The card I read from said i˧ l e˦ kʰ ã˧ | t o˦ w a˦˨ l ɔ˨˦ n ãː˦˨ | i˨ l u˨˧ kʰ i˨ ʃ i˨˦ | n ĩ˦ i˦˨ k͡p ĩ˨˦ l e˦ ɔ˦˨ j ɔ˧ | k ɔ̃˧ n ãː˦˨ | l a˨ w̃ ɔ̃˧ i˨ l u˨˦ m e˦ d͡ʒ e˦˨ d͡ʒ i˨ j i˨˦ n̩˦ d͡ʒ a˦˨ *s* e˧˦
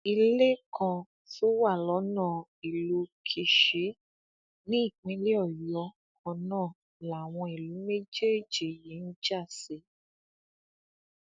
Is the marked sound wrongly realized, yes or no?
no